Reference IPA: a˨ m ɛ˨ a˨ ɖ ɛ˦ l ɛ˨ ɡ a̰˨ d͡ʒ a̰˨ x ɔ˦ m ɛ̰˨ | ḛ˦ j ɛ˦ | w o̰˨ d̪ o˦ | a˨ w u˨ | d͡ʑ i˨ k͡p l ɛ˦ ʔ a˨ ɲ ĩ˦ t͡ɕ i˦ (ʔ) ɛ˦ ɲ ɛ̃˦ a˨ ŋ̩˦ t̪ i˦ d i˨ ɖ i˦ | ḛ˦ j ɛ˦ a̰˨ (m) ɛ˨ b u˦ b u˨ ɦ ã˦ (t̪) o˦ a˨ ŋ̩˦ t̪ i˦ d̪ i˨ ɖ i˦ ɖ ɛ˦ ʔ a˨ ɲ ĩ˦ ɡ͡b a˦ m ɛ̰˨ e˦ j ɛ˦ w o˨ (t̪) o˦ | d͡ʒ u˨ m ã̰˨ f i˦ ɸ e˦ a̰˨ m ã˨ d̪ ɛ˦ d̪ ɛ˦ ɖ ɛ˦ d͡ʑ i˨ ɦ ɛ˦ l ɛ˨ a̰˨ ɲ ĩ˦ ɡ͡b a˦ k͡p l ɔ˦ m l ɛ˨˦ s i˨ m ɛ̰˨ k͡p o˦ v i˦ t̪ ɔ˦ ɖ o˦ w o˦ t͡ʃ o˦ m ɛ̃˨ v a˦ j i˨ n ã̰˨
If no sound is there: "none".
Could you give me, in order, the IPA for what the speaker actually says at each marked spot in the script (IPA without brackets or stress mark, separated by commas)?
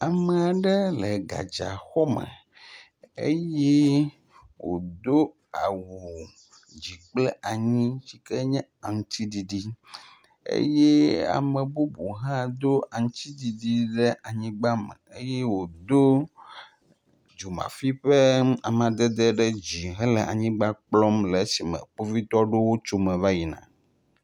k, m, d̪, d̪